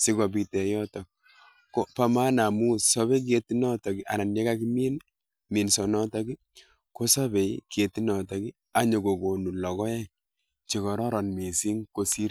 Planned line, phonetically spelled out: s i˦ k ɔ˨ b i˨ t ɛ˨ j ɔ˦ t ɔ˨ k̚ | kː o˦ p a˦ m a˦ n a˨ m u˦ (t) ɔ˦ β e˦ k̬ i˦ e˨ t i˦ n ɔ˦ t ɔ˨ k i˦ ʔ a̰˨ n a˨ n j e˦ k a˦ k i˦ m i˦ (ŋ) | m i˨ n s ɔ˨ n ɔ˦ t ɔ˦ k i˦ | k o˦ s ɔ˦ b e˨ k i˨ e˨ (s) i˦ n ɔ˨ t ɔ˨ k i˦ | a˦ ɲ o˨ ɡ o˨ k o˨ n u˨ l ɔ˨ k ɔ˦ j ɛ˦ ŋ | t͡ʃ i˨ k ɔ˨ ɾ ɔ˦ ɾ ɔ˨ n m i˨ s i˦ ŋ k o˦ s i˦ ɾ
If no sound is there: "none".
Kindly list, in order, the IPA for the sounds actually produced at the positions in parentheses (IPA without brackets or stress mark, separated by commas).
s, n, t